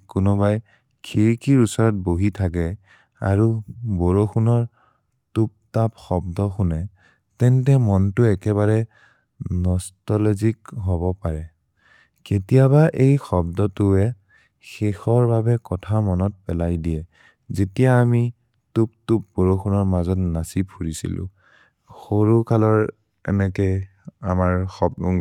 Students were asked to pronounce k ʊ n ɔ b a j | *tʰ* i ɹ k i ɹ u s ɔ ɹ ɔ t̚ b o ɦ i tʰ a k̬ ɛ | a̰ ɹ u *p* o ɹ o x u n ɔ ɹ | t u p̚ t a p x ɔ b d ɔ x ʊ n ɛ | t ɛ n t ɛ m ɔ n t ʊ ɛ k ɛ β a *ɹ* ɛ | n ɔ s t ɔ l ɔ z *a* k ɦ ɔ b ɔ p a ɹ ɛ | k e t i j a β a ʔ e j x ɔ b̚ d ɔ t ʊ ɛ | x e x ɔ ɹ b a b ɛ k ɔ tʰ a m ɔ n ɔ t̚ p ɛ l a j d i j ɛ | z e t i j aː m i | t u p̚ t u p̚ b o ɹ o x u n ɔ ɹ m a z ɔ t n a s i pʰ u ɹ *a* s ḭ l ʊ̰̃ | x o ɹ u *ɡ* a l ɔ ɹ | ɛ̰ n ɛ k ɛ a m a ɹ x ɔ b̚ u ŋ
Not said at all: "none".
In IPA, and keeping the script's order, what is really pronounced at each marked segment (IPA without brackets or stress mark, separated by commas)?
kʰ, b, ɹ, i, i, k